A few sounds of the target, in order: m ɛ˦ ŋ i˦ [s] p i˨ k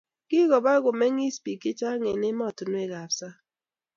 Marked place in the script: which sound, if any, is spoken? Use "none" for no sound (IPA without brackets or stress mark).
s